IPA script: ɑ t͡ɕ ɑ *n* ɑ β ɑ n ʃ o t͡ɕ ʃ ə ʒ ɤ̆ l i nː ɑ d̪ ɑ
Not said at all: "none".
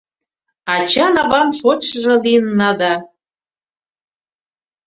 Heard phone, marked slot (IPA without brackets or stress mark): n